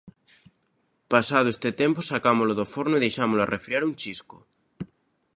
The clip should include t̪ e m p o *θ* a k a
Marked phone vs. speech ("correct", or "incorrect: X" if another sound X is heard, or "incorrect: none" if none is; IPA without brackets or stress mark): incorrect: s